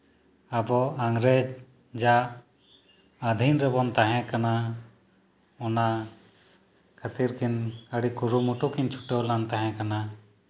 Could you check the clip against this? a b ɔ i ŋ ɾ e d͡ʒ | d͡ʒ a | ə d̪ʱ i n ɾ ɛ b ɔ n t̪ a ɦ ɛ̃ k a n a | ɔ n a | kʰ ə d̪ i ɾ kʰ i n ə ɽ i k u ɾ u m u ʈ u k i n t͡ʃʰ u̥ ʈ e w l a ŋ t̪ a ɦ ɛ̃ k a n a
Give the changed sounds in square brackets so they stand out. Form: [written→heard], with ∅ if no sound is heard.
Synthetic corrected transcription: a b ɔ [i→a] ŋ ɾ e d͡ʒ | d͡ʒ a | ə d̪ʱ i n ɾ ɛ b ɔ n t̪ a ɦ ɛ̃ k a n a | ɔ n a | kʰ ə [d̪→t̪] i ɾ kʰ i n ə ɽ i k u ɾ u m u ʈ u k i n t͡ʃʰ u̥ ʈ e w l a [ŋ→n] t̪ a ɦ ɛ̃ k a n a